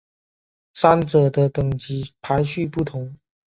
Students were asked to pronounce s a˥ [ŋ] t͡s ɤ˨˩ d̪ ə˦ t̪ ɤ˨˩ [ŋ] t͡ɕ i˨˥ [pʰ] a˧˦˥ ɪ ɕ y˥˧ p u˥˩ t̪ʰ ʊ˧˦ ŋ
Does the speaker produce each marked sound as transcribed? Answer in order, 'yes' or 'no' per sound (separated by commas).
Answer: no, yes, yes